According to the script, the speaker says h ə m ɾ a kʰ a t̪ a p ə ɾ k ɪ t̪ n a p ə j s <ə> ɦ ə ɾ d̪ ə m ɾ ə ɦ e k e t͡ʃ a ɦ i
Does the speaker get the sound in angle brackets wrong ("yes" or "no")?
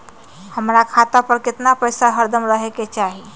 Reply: yes